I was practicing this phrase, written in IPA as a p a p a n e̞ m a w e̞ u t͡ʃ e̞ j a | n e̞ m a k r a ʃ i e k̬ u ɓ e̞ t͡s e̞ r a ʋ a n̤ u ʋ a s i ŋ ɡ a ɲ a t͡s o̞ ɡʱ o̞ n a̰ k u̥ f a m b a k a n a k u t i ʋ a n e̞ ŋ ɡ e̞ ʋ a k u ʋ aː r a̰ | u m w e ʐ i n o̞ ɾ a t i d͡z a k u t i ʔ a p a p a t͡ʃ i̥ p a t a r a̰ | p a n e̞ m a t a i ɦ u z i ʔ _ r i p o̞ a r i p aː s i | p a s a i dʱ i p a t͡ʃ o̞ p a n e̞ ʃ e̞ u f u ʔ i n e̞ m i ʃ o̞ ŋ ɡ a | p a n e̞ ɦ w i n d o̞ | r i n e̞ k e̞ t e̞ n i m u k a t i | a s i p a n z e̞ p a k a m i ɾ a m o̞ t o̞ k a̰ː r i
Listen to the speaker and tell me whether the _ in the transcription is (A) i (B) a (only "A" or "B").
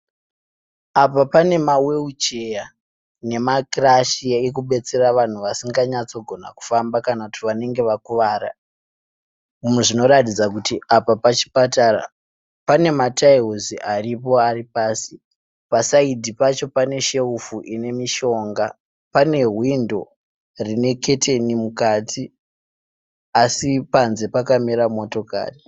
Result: B